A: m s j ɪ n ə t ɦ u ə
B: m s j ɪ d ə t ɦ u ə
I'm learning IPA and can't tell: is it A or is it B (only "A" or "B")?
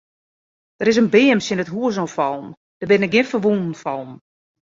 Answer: A